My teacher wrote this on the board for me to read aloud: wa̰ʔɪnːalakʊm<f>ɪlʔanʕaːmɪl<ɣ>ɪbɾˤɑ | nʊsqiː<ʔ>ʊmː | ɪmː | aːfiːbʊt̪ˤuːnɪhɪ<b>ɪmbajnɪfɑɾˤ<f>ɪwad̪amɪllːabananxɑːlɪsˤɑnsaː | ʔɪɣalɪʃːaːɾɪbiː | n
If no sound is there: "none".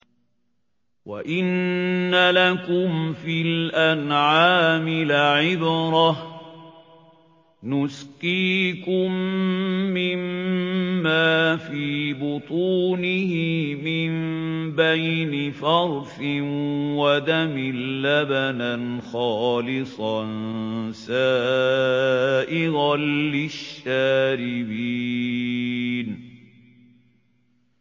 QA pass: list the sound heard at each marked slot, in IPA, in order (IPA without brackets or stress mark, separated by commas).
f, ʕ, k, m, f